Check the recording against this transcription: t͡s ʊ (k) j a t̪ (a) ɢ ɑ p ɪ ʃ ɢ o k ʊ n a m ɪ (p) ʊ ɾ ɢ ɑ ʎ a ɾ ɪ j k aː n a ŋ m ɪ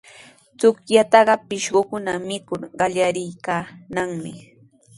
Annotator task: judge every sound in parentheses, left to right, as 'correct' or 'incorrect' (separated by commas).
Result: correct, incorrect, incorrect